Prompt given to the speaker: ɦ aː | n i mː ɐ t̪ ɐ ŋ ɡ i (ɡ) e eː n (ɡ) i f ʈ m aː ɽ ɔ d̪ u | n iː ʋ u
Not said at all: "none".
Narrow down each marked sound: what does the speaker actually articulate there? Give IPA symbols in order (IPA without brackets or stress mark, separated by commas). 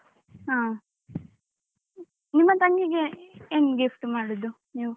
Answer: ɡ, ɡ